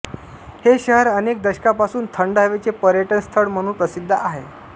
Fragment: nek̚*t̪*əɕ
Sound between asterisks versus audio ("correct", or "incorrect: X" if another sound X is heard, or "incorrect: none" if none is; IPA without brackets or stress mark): incorrect: d̪